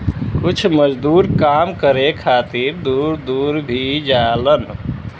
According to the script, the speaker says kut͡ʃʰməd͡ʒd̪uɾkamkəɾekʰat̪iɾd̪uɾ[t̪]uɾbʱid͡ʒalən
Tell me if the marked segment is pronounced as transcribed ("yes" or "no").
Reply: no